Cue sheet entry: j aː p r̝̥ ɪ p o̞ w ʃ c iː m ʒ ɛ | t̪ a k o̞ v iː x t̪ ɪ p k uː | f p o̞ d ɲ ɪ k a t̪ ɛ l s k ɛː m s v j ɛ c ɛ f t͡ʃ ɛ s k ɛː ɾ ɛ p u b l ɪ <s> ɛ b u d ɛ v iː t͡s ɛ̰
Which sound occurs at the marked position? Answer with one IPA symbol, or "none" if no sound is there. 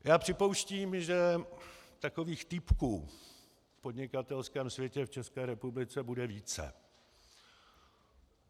t͡s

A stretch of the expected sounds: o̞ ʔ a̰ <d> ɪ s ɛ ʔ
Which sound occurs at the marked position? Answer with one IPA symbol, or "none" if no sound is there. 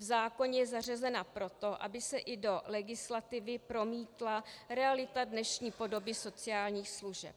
b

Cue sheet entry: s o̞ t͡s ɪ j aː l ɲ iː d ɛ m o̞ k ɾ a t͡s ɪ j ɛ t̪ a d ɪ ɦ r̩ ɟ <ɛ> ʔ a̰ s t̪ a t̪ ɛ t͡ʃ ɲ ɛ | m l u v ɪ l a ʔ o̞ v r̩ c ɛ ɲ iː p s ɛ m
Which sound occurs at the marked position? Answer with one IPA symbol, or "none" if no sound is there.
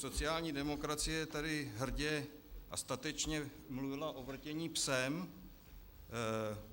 ɛ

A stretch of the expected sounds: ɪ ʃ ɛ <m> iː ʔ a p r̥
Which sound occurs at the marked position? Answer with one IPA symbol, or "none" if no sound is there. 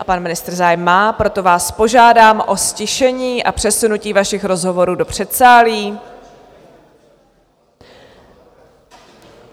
ɲ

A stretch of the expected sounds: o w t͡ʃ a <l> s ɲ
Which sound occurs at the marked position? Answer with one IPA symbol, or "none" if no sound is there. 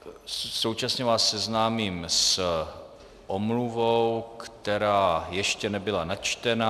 none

